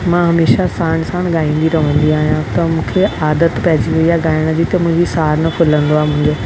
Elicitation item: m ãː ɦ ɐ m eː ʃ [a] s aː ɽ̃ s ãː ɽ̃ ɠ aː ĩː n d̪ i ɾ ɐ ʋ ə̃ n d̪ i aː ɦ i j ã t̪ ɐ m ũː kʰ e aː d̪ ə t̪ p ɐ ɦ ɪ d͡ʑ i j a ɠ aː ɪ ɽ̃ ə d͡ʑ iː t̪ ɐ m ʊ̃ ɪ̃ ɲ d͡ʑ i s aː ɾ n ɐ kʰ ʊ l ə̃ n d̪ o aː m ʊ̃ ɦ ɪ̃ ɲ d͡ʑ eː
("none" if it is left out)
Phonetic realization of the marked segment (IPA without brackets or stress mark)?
a